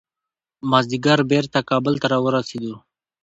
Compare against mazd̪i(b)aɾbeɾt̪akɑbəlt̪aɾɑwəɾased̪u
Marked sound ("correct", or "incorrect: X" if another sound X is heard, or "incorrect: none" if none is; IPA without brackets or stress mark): incorrect: ɡ